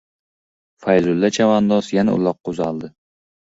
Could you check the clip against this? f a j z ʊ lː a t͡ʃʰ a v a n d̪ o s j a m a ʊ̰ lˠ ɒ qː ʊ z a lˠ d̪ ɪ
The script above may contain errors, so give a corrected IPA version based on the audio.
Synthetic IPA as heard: f a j z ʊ lː a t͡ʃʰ a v a n d̪ ɒ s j a n a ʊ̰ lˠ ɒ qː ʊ z a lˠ d̪ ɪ